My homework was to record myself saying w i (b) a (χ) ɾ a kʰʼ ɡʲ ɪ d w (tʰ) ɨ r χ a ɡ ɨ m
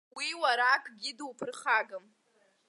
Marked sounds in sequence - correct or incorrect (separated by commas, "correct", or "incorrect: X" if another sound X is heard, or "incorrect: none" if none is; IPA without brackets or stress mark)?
incorrect: w, incorrect: none, incorrect: pʰ